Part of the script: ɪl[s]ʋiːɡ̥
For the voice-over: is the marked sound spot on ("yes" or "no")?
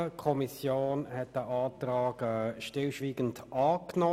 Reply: no